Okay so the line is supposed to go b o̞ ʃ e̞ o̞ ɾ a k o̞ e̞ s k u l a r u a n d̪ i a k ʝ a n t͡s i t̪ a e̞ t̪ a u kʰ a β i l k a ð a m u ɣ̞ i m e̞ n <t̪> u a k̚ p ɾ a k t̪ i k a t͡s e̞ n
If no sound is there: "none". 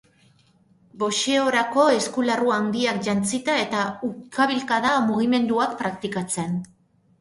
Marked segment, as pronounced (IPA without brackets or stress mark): d̪